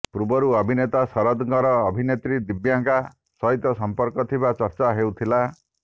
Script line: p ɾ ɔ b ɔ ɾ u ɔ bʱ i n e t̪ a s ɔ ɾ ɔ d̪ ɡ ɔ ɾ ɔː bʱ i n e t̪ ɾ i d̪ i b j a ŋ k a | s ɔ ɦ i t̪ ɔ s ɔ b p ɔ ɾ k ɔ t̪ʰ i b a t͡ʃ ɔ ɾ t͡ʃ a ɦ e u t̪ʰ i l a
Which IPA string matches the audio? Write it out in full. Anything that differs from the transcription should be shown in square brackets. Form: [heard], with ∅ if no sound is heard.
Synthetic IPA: p ɾ [u] b ɔ ɾ u ɔ bʱ i n e t̪ a s ɔ ɾ ɔ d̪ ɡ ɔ ɾ ɔː bʱ i n e t̪ ɾ i d̪ i b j a ŋ k a | s ɔ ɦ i t̪ ɔ s ɔ [m] p ɔ ɾ k ɔ t̪ʰ i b a t͡ʃ ɔ ɾ t͡ʃ a ɦ e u t̪ʰ i l a